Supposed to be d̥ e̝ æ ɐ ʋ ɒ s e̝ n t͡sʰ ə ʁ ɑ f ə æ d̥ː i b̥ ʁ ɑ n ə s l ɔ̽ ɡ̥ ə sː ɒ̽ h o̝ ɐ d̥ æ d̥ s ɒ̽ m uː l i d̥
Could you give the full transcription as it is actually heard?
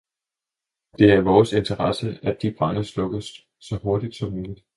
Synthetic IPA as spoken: d̥ e̝ æ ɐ ʋ ɒː s e̝ n t͡sʰ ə ʁ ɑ s ə æ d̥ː i b̥ ʁ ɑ n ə s l ɔ̽ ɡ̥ ə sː ɒ̽ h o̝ ɐ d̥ i d̥ s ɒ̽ m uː l i d̥

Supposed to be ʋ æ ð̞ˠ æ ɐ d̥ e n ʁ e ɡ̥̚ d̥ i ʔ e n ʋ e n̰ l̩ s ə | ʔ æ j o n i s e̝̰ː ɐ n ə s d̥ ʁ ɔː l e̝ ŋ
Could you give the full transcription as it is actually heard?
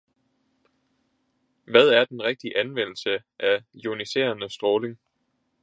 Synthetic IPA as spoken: ʋ æ ð̞ˠ æ ɐ d̥ e n ʁ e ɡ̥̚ d̥ i ʔ æ n ʋ e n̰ l̩ s ə | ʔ æ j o n i s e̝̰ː ɐ n ə s d̥ ʁ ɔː l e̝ ŋ

